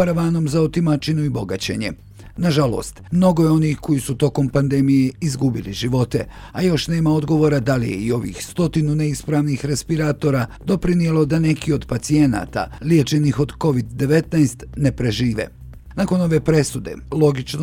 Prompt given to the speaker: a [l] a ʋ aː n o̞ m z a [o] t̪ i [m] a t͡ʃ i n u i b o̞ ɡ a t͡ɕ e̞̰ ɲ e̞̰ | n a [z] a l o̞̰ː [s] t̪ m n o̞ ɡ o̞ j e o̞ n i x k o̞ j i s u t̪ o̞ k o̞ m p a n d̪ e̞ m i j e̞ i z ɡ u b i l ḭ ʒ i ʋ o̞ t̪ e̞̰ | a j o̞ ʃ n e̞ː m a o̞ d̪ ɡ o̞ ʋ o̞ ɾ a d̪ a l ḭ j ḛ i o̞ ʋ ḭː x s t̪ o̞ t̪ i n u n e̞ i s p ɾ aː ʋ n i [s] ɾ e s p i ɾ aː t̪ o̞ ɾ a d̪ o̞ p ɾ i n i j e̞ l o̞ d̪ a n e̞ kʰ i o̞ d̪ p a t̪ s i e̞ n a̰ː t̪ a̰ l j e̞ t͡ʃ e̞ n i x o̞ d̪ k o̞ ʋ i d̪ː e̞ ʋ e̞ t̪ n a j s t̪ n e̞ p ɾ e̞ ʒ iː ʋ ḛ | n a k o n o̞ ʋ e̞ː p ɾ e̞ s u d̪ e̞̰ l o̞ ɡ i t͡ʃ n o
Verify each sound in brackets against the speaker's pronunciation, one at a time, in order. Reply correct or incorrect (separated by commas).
incorrect, correct, correct, incorrect, correct, incorrect